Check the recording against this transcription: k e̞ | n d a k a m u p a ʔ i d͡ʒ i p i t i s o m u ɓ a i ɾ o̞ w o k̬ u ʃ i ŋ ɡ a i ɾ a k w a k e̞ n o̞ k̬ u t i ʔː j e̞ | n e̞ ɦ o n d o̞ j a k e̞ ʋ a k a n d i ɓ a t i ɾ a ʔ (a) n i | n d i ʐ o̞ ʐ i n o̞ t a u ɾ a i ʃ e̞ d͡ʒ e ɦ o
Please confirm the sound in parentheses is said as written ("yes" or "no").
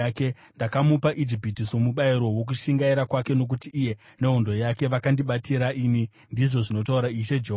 no